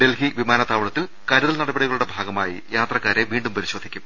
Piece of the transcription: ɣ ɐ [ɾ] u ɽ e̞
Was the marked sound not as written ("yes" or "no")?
yes